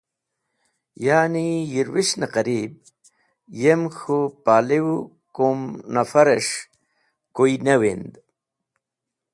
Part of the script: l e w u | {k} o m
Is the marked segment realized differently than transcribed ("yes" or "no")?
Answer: no